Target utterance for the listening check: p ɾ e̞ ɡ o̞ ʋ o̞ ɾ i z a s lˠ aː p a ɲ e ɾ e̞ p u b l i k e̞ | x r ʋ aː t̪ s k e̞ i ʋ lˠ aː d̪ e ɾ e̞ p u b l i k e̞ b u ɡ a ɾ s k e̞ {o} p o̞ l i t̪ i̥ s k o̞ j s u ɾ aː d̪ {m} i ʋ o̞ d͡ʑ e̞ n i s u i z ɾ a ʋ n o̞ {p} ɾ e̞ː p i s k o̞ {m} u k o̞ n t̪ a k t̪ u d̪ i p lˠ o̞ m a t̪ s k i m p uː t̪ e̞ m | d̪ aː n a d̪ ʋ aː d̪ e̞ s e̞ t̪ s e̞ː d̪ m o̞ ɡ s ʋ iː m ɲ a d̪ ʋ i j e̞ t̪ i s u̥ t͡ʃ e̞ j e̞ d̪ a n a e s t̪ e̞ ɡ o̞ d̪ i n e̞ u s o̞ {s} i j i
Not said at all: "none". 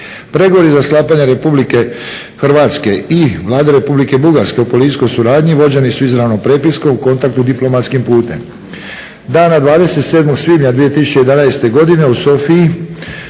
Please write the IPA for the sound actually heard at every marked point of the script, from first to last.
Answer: u, ɲ, p, m, f

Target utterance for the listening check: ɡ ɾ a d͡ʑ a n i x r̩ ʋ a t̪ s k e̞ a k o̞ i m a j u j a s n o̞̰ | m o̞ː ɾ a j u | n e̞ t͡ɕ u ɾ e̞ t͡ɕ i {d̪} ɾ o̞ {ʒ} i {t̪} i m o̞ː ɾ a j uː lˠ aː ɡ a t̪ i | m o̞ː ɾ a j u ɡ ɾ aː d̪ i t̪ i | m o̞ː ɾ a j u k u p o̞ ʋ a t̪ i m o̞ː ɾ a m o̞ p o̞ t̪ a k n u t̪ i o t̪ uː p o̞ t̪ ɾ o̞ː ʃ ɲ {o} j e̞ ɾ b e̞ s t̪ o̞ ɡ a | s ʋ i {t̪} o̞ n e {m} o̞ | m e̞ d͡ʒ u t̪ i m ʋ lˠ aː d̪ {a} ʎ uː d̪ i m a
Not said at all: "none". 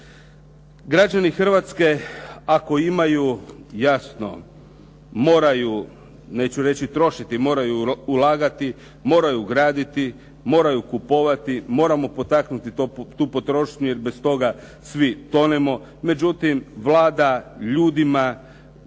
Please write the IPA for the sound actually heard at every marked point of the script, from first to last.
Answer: t̪, ʃ, t̪, u, t̪, m, a

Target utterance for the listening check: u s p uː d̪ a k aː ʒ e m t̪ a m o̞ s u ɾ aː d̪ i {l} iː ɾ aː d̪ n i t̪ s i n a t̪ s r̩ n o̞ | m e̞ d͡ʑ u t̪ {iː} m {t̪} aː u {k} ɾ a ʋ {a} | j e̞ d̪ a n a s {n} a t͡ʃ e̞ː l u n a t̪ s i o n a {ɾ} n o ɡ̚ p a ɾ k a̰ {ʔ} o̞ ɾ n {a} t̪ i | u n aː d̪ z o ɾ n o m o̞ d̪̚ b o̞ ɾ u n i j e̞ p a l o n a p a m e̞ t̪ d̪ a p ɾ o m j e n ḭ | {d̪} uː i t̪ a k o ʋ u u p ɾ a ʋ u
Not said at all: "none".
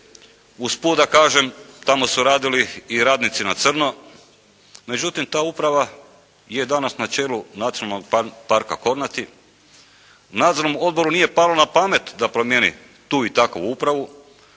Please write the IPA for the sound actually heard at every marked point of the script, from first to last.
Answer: l, i, t̪, p, a, n, l, k, a, t̪

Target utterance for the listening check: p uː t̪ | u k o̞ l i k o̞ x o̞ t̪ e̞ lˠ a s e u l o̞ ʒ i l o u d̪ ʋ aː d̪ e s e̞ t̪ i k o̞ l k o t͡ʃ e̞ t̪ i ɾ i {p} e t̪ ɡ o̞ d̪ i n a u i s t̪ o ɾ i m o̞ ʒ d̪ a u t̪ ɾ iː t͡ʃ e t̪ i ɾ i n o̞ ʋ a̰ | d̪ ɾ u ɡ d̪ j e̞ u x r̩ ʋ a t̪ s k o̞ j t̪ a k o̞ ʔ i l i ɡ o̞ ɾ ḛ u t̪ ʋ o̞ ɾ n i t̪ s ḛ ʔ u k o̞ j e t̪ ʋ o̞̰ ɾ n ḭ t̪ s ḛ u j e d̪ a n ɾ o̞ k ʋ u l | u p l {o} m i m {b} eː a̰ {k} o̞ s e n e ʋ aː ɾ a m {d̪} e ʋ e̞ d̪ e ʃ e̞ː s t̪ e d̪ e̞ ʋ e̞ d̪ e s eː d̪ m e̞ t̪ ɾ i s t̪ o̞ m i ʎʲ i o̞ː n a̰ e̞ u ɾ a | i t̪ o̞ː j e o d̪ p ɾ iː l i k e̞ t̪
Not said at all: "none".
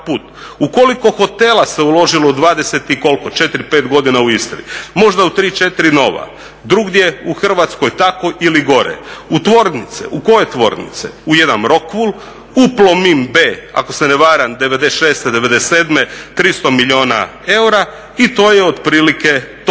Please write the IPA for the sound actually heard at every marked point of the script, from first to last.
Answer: p, o, b, k, d̪

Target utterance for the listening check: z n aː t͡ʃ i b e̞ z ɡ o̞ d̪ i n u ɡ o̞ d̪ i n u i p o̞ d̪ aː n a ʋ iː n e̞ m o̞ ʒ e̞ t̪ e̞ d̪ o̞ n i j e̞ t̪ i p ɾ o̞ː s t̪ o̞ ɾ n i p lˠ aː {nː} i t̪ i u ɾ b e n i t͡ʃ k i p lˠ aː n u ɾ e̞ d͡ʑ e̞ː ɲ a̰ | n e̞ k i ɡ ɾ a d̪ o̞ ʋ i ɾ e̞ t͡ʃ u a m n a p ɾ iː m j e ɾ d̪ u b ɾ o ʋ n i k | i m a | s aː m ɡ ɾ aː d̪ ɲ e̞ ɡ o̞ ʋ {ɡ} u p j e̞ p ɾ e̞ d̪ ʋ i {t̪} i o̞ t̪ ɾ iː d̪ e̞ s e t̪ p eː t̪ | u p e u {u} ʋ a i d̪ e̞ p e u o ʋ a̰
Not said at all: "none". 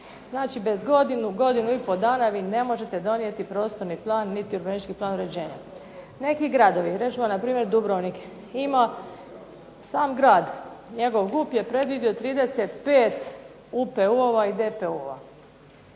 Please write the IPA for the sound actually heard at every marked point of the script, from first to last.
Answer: nː, ɡ, d̪, o

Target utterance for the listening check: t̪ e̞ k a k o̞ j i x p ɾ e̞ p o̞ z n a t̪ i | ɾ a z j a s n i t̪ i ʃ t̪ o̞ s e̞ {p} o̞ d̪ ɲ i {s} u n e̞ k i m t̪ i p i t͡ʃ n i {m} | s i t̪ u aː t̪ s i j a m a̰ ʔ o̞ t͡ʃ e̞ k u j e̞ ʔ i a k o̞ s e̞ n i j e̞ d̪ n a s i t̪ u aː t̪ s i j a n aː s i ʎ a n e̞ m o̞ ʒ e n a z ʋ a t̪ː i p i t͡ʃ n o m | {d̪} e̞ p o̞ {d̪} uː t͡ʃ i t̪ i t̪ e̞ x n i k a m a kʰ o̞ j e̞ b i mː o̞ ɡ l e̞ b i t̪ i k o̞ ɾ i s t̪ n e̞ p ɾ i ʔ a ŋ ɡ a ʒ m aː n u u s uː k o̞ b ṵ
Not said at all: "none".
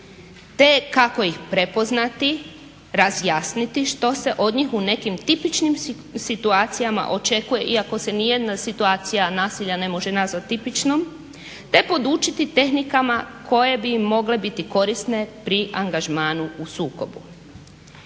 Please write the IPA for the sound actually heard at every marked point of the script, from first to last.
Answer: ʔ, x, m, t̪, d̪

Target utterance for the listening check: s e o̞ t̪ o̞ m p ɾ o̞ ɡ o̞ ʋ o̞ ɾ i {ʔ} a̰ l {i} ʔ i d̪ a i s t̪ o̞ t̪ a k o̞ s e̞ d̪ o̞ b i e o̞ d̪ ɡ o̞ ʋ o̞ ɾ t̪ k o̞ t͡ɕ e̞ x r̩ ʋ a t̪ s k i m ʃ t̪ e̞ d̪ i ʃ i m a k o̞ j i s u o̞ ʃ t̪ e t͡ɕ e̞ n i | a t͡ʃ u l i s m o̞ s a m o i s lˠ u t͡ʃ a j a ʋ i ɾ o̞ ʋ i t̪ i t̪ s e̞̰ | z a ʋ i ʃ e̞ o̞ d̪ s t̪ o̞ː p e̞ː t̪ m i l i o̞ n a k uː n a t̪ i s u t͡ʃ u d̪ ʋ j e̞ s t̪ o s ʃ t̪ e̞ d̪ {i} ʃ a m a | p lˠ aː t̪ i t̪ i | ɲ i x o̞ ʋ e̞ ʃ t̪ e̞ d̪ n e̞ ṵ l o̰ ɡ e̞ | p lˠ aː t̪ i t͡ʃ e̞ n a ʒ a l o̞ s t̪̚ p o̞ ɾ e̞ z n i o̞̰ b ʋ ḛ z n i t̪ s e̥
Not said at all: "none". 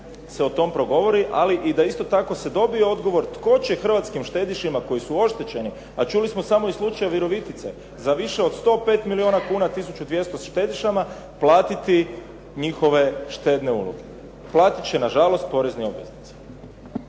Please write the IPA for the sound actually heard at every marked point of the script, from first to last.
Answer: ʔ, i, i

